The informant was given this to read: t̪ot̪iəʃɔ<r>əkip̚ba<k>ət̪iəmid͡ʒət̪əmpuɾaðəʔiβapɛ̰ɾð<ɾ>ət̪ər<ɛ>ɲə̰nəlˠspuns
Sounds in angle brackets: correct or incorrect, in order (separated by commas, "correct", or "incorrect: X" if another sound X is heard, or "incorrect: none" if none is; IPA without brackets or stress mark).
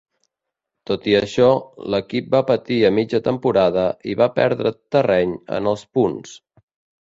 incorrect: l, incorrect: p, correct, correct